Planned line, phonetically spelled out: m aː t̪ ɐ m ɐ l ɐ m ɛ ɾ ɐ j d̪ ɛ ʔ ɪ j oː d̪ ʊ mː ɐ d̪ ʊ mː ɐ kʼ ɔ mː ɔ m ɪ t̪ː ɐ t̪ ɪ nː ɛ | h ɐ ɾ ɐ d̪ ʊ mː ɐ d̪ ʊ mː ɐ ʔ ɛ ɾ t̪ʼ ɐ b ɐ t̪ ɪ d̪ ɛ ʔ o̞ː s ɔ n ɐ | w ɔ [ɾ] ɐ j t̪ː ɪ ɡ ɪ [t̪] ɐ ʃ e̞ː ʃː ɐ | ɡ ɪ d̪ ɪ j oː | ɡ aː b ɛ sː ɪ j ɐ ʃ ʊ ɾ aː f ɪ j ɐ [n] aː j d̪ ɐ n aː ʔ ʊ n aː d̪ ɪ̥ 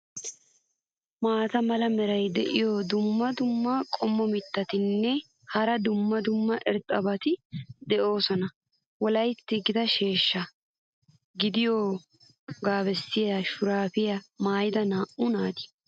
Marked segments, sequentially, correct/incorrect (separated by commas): incorrect, incorrect, incorrect